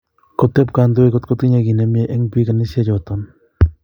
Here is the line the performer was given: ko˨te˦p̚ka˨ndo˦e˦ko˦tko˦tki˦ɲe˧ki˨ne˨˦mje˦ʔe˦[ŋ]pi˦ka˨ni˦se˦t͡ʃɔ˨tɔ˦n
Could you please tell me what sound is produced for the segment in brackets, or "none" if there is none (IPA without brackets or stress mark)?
ŋ